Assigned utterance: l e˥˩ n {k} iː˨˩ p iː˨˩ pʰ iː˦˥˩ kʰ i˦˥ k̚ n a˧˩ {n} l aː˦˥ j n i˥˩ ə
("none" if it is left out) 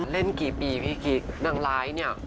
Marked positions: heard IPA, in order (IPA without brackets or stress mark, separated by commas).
k, ŋ